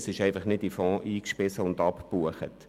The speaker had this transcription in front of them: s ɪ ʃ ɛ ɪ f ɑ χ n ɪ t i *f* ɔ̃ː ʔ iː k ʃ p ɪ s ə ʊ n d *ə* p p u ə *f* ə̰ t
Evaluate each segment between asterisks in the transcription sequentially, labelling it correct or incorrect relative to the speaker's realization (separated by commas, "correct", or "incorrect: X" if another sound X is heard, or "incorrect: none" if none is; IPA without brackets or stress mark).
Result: correct, incorrect: ɑ, incorrect: χ